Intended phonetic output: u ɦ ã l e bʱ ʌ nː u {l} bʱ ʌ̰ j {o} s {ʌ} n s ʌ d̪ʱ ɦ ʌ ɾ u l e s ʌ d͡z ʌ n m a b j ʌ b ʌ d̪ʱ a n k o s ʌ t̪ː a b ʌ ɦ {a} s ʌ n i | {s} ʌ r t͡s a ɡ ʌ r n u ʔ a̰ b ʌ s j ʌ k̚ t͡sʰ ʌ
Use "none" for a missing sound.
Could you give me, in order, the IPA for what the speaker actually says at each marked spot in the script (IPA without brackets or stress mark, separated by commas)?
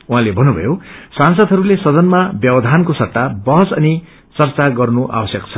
none, o, a, ʌ, t͡s